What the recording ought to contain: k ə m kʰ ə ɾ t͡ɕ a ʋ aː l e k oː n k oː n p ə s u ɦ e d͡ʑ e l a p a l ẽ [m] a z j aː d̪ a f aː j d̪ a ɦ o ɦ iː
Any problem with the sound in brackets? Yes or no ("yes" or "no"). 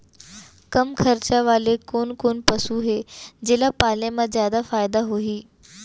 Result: no